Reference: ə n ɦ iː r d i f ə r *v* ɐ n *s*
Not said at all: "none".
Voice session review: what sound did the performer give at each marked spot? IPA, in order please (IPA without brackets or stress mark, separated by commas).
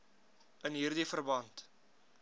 b, t